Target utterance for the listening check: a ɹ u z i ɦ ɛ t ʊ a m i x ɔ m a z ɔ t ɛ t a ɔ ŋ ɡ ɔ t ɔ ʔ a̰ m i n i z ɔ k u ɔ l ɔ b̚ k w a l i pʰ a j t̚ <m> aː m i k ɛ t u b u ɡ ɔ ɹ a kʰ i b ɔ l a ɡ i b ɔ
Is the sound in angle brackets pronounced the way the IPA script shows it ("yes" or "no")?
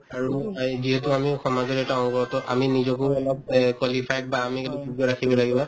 no